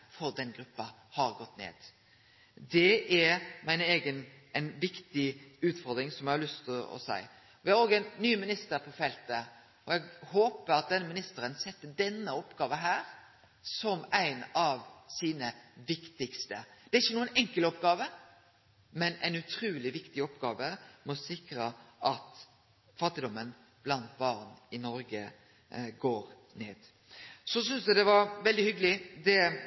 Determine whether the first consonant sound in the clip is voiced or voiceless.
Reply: voiceless